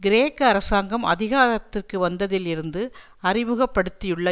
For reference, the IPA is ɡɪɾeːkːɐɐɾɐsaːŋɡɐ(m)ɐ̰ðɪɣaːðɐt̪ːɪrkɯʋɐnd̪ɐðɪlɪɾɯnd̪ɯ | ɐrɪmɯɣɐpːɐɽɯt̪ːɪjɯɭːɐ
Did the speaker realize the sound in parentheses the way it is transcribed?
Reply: yes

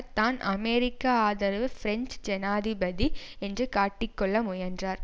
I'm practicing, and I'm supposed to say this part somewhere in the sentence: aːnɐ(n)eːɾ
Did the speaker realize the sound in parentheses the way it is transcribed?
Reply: no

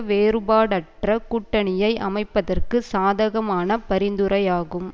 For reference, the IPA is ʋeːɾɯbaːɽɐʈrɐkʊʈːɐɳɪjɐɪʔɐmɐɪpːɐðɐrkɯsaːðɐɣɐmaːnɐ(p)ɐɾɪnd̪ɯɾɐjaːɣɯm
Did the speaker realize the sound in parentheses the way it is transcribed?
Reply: yes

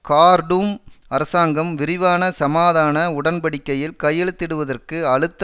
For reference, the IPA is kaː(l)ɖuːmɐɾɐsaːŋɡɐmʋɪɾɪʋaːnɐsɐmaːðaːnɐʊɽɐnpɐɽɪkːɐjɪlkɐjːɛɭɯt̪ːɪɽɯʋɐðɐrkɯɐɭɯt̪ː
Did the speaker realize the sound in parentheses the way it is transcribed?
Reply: no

